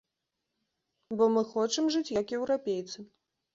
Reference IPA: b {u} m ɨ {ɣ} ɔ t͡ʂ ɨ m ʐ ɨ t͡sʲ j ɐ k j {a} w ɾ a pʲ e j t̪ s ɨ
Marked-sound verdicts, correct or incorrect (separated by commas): incorrect, incorrect, incorrect